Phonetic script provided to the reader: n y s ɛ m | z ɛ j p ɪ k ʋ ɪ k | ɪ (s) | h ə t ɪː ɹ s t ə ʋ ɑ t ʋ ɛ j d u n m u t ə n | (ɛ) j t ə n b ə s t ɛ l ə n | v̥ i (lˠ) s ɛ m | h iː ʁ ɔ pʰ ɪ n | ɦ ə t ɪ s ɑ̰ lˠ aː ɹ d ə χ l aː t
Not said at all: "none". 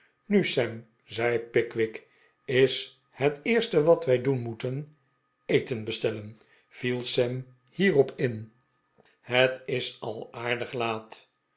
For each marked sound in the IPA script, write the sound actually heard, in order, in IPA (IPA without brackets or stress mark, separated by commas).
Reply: s, e, lˠ